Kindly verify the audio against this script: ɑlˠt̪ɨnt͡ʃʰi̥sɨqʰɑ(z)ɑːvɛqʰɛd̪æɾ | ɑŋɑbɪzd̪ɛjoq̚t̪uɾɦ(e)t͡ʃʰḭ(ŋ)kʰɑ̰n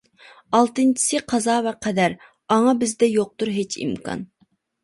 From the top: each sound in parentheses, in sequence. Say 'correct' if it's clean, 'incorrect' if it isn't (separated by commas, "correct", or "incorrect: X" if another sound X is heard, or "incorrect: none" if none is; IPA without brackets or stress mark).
correct, correct, incorrect: m